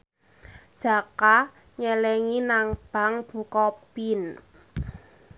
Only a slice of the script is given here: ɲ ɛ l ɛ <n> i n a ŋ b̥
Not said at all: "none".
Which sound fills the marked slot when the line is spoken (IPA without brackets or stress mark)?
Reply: ŋ